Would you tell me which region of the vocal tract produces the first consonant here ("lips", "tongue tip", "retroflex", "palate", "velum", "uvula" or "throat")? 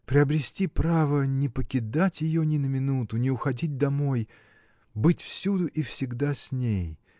lips